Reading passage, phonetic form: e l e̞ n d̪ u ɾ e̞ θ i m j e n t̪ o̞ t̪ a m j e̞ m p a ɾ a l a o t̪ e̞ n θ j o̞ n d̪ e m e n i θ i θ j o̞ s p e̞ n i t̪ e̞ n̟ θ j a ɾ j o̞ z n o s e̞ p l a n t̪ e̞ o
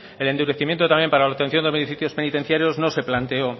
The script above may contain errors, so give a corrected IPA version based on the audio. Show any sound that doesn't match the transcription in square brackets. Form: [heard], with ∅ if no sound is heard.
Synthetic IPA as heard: e l e̞ n d̪ u ɾ e̞ θ i m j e n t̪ o̞ t̪ a m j e̞ m p a ɾ a l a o t̪ e̞ n θ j o̞ n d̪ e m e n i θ i θ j o̞ s p e̞ n i t̪ e̞ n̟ θ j a ɾ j o̞ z n o s e̞ p l a n t̪ e̞ o